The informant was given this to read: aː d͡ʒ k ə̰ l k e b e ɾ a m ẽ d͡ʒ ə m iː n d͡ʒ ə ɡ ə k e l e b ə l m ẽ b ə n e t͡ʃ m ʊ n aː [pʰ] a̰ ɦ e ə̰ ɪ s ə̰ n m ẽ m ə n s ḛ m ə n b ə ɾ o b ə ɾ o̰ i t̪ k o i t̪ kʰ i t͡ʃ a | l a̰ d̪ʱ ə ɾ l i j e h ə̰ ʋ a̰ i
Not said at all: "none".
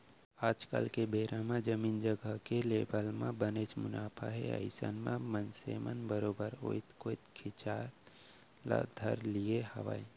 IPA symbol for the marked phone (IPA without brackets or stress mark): pʰ